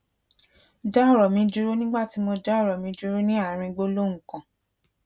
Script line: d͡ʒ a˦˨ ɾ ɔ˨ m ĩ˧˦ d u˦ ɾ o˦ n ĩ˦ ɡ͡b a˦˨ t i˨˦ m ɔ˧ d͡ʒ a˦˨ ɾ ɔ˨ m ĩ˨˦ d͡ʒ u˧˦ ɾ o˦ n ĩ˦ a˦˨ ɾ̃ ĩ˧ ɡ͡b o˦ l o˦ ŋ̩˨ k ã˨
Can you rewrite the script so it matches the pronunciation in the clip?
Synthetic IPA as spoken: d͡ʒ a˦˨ ɾ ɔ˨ m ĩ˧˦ d͡ʒ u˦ ɾ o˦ n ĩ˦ ɡ͡b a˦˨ t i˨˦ m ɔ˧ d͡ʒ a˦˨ ɾ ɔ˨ m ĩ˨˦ d͡ʒ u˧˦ ɾ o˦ n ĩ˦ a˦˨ ɾ̃ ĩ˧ ɡ͡b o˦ l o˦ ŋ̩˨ k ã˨